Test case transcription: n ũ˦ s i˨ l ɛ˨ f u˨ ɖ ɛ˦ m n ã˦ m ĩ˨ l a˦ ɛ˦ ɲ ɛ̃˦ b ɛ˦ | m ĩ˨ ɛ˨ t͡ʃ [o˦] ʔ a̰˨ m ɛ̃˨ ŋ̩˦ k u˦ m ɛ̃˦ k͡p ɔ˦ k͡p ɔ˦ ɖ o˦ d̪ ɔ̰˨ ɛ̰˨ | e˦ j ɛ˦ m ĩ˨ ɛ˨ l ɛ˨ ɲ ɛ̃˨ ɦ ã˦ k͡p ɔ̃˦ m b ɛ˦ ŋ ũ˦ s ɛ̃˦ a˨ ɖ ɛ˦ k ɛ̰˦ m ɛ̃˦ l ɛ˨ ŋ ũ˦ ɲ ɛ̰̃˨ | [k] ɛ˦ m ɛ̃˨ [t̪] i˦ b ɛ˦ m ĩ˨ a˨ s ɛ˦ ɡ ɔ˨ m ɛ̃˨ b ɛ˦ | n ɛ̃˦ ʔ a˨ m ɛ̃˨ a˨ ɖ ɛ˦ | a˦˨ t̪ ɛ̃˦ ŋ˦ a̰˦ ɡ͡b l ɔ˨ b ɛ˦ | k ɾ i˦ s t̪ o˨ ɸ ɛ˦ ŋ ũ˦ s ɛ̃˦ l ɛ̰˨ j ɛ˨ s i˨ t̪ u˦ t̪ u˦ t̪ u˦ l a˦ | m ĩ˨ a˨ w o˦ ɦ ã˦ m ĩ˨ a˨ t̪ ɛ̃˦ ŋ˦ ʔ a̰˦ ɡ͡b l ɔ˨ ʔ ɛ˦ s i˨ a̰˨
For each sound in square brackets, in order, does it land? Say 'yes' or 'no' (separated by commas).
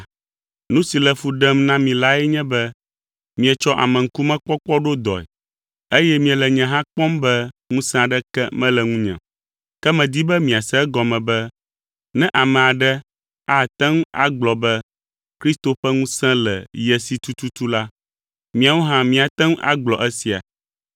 no, yes, no